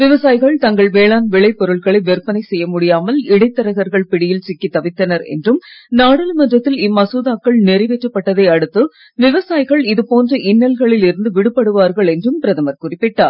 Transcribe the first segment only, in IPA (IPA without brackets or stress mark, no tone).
ʋ